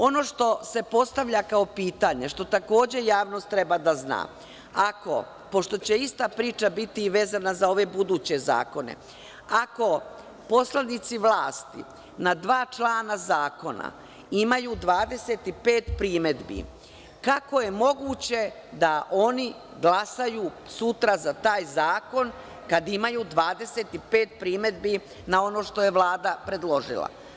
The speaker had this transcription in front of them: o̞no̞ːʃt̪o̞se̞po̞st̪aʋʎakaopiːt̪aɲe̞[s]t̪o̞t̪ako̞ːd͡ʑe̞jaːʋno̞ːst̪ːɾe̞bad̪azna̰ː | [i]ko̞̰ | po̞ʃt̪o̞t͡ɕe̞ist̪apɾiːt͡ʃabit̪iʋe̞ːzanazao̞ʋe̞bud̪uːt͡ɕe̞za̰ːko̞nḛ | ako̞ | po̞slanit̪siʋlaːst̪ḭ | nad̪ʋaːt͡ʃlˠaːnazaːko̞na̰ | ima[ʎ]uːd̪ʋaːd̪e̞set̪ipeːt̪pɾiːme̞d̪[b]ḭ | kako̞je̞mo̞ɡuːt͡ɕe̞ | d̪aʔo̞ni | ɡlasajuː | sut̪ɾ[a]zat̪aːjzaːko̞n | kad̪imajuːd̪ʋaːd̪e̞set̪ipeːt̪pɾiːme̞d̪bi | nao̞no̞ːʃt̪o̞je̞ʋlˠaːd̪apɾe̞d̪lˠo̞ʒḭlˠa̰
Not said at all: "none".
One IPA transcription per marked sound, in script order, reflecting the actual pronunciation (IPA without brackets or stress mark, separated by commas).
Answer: ʃ, a, j, b, a